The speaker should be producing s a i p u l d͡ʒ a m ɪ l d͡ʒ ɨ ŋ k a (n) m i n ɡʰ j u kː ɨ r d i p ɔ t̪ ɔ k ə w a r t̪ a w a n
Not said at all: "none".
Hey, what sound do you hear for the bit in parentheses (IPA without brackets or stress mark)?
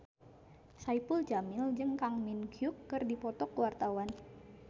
ŋ